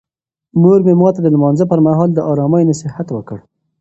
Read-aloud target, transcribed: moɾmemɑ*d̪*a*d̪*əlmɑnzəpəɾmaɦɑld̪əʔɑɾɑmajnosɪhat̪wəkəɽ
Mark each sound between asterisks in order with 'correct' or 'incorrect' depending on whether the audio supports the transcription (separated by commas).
incorrect, correct